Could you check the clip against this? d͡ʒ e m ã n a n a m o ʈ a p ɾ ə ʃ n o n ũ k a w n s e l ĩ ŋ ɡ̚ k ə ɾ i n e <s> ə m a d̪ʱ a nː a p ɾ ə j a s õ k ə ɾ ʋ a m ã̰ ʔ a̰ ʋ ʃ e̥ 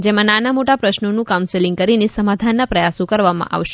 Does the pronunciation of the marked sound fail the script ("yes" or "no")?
no